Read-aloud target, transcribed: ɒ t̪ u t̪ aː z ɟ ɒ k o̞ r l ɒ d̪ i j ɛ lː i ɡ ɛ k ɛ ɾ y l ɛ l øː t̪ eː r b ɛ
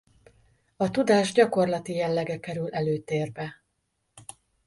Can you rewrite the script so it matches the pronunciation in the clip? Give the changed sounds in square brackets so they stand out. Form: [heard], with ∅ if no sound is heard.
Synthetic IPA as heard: ɒ t̪ u [d̪] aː [ʒ] ɟ ɒ k o̞ r l ɒ [t̪] i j ɛ lː [ɛ] ɡ ɛ k ɛ ɾ y l ɛ l øː t̪ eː r b ɛ